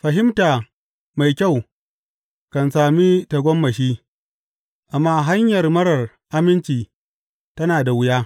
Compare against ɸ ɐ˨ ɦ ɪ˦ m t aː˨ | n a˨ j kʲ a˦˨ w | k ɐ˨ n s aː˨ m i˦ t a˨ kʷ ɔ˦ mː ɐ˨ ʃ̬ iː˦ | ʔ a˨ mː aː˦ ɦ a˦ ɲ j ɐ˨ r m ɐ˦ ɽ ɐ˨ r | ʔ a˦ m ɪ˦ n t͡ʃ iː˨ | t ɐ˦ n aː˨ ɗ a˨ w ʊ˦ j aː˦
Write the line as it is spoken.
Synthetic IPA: ɸ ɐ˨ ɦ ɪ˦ m t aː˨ | m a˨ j kʲ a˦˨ w | k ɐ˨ n s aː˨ m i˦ t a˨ ɡʷ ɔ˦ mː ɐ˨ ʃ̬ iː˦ | ʔ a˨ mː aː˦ ɦ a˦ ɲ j ɐ˨ r m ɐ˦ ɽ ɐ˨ r | ʔ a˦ m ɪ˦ n t͡ʃ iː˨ | t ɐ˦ n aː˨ d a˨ w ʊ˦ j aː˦

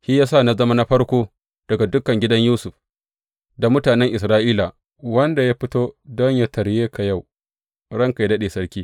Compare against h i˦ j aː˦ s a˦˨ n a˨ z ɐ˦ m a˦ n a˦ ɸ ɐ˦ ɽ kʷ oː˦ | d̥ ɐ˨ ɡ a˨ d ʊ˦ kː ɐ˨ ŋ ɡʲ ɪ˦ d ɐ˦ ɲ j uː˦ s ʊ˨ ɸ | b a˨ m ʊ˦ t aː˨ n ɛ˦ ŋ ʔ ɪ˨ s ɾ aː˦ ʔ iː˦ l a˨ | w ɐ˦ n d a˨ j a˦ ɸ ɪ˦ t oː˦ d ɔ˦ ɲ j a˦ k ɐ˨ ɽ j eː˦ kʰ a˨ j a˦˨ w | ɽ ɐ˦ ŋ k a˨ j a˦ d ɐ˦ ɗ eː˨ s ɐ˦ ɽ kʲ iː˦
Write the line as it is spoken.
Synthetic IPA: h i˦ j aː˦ s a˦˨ n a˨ z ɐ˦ m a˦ n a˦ ɸ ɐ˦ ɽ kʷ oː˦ | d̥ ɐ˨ ɡ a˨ d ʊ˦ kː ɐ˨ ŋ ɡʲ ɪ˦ d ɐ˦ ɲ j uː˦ s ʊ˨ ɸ | d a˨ m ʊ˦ t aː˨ n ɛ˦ ŋ ʔ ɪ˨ s ɾ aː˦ ʔ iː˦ l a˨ | w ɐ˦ n d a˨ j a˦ ɸ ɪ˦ t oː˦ d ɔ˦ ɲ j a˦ t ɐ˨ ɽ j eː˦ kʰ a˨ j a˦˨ w | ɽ ɐ˦ ŋ k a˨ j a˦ d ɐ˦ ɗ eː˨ s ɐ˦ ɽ kʲ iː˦

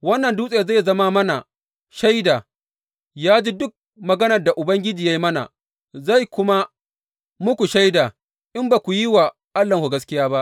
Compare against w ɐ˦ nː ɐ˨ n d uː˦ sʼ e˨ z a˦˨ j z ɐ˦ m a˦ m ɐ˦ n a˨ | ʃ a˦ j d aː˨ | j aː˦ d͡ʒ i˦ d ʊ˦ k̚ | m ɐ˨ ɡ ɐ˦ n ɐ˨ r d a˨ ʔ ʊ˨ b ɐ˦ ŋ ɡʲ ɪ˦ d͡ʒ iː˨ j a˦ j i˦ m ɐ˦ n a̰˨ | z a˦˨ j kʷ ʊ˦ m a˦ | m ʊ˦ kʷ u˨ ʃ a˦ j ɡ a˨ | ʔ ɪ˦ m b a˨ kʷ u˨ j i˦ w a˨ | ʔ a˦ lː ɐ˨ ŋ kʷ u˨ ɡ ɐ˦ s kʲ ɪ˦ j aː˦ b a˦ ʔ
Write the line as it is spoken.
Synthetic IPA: w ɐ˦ nː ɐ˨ n d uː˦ sʼ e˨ z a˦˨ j z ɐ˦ m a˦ m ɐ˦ n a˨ | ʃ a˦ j d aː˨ | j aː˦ d͡ʒ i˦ d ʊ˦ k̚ | m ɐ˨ ɡ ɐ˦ n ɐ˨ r d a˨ ʔ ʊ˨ b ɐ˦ ŋ ɡʲ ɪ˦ d͡ʒ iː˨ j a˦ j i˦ m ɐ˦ n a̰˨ | z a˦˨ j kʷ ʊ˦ m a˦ | m ʊ˦ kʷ u˨ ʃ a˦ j d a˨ | ʔ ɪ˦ m b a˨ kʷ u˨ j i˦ w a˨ | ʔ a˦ lː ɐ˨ ŋ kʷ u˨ ɡ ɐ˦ s kʲ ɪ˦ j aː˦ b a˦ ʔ

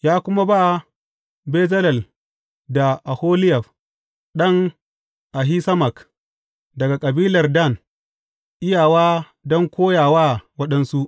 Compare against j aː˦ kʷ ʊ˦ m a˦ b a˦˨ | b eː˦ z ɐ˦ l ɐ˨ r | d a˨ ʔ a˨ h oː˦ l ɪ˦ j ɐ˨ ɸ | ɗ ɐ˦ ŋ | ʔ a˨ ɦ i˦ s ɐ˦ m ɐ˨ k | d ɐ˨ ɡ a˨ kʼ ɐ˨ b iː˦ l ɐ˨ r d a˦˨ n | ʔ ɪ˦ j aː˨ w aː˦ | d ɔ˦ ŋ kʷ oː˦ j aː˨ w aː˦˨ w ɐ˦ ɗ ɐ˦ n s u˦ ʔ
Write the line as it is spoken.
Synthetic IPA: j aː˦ kʷ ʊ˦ m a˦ b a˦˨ | b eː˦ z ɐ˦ l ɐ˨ l | d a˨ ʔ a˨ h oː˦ l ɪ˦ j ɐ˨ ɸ | ɗ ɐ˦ ŋ | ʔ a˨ ɦ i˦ s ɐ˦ m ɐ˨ k | d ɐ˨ ɡ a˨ kʼ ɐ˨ b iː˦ l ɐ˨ r d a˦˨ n | ʔ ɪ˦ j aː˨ w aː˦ | d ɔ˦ ŋ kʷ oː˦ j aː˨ w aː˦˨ w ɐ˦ ɗ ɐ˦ n s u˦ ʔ

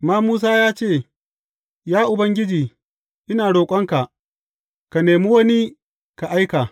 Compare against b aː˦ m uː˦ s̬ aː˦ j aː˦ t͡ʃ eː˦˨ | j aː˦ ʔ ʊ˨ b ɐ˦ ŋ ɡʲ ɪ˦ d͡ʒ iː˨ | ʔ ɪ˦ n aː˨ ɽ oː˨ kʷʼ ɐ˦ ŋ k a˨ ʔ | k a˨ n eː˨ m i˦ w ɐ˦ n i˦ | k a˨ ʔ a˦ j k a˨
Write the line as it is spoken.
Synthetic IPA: m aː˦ m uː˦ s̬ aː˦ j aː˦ t͡ʃ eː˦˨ | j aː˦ ʔ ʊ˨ b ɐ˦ ŋ ɡʲ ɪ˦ d͡ʒ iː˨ | ʔ ɪ˦ n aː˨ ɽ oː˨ kʷʼ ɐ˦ ŋ k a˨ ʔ | k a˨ n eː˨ m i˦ w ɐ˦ n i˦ | k a˨ ʔ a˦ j k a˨

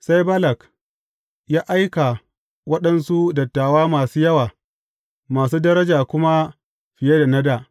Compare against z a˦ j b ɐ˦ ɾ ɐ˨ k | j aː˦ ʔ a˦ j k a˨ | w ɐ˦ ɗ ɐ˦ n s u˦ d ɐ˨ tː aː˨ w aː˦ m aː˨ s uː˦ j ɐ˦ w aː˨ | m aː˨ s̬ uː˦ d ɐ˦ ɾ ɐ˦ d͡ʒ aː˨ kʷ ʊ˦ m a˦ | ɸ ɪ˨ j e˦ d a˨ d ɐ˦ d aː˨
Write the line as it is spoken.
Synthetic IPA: s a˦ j b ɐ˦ l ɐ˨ k | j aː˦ ʔ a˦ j k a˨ | w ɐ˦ ɗ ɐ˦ n s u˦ d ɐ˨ tː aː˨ w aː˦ m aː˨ s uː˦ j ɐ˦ w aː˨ | m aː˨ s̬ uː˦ d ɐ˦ ɾ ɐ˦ d͡ʒ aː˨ kʷ ʊ˦ m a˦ | ɸ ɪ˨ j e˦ d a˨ n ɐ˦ d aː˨

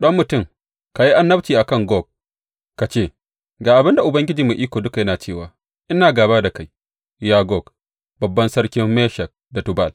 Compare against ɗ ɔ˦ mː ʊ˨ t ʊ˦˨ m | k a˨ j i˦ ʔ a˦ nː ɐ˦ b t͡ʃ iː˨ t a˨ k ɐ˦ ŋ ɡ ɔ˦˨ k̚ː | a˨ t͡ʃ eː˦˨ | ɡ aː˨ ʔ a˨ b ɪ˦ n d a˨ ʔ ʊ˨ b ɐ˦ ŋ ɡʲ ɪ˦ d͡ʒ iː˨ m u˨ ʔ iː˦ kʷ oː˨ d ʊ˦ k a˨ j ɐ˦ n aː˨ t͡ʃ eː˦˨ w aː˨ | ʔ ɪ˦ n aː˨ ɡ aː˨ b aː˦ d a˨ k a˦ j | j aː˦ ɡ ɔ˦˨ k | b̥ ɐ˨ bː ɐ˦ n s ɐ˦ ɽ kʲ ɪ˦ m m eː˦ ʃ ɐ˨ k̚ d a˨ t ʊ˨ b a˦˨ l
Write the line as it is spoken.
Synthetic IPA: ɗ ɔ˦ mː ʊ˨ t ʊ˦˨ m | k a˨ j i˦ ʔ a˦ nː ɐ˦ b t͡ʃ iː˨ ʔ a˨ k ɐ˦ ŋ ɡ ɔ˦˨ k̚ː | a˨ t͡ʃ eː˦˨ | ɡ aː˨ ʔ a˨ b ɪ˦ n d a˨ ʔ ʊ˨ b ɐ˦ ŋ ɡʲ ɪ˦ d͡ʒ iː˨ m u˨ ʔ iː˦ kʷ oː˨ d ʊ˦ k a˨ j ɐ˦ n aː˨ t͡ʃ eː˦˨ w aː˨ | ʔ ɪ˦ n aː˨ ɡ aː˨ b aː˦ d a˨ k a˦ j | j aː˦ ɡ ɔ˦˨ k | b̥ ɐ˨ bː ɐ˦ n s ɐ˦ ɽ kʲ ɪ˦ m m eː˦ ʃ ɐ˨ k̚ d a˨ t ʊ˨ b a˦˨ l

